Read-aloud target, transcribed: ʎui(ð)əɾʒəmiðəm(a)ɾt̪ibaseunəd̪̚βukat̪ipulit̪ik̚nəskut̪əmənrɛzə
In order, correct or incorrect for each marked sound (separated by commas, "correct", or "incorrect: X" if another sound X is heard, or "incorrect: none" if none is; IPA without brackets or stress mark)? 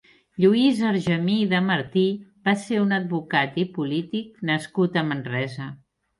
incorrect: z, incorrect: ə